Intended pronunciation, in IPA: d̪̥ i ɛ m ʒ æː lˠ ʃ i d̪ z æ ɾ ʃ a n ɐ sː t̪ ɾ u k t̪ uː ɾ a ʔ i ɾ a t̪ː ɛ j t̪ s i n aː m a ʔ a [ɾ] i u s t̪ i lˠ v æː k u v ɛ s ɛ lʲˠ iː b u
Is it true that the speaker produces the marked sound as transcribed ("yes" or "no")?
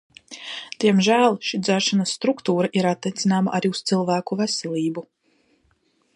yes